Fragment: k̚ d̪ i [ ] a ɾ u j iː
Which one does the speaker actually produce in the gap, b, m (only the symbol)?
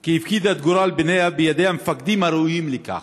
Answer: m